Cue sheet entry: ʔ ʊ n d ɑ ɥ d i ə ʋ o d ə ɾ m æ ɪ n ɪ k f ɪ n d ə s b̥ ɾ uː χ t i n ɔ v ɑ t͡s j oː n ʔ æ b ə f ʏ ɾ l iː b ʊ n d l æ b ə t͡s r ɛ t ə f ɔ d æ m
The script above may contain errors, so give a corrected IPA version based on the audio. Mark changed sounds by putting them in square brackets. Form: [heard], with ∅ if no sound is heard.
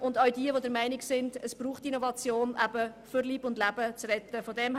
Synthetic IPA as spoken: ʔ ʊ n d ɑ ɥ d i ə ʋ o d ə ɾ m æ ɪ n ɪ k [s] ɪ n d ə s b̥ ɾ uː χ t i n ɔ v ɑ t͡s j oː n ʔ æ b ə f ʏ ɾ l iː b ʊ n d l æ b ə t͡s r ɛ t ə f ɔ d [ɛ] m